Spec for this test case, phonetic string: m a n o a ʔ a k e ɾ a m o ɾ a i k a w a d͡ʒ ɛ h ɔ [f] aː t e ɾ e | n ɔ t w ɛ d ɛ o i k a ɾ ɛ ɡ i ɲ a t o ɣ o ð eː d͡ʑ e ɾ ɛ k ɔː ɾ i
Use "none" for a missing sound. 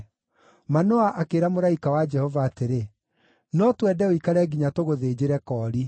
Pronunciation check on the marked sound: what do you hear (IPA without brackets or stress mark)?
v